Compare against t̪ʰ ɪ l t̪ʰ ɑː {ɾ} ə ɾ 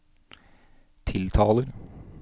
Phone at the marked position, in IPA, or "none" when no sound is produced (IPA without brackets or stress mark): l